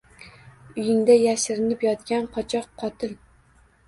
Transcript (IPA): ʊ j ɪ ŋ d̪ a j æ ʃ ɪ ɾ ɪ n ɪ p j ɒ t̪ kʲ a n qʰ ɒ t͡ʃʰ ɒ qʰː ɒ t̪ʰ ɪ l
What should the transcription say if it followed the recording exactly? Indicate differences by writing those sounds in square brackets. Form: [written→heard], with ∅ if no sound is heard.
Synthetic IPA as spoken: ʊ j ɪ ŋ d̪ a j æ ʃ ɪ ɾ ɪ n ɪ p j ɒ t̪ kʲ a n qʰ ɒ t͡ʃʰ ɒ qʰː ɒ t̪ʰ ɪ l